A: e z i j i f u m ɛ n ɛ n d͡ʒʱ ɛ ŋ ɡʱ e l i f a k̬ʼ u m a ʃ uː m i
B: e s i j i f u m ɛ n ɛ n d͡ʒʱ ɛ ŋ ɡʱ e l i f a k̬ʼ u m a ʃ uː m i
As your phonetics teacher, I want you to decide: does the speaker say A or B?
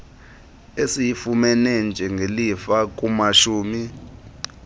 B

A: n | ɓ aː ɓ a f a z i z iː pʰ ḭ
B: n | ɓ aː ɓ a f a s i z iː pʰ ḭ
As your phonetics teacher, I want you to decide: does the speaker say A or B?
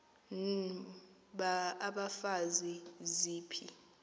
A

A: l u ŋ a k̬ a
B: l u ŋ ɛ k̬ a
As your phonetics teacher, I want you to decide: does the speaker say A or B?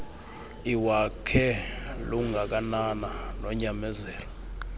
A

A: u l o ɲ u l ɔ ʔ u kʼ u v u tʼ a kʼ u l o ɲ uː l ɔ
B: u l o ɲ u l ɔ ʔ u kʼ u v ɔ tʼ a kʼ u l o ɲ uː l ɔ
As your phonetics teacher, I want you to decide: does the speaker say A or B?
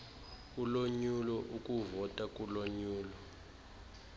B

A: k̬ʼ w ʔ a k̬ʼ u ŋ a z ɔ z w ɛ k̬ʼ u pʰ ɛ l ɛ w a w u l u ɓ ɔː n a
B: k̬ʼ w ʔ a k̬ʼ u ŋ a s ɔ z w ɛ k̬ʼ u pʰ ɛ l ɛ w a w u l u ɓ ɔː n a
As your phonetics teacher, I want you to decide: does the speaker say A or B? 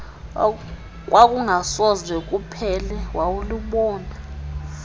B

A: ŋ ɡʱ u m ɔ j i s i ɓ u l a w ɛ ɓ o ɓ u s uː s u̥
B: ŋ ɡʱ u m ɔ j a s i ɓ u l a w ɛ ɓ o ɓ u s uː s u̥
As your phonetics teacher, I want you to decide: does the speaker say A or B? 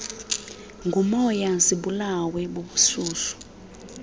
B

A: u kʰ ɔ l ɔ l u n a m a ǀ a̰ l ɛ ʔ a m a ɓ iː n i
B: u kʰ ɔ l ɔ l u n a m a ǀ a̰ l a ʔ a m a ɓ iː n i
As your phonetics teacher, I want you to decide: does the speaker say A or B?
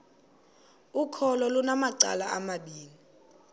B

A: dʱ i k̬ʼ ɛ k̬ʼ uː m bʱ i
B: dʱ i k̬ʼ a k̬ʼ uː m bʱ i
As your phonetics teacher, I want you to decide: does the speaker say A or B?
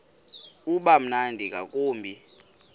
B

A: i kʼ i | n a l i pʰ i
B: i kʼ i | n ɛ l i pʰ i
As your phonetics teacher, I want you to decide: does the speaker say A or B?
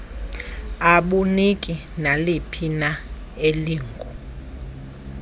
A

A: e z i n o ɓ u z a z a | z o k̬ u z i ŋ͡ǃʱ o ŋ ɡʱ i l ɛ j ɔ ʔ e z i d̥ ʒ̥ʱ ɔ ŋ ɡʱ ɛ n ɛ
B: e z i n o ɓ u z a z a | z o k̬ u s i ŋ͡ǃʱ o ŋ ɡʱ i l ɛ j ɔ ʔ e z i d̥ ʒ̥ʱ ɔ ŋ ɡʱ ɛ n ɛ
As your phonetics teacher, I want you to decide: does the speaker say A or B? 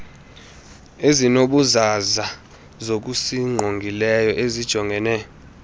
B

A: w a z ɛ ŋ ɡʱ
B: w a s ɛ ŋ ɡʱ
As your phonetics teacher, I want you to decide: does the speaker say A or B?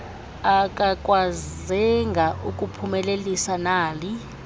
A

